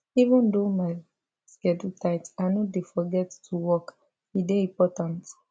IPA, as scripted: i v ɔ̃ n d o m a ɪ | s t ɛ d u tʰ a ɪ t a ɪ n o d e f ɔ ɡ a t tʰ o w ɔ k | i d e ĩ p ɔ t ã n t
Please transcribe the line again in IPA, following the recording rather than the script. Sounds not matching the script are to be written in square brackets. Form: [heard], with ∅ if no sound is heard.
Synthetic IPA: i v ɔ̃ n d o m a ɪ | s [k] ɛ d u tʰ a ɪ t a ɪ n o d e f ɔ ɡ [ɛ] t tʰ [u] w ɔ k | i d e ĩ p ɔ t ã n t